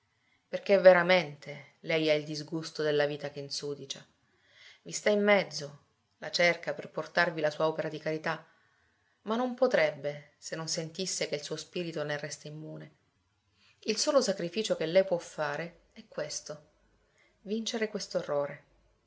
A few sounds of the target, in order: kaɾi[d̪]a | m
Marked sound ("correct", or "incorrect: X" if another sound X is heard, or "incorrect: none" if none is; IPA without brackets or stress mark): incorrect: t̪